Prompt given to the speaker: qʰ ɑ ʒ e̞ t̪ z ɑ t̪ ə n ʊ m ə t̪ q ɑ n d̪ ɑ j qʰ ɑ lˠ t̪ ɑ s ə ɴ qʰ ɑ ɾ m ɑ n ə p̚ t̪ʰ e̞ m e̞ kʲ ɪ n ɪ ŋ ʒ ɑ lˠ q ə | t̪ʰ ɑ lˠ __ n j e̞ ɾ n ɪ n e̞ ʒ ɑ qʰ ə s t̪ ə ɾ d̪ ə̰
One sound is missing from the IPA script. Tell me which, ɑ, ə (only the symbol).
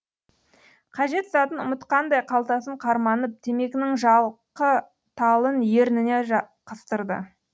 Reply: ə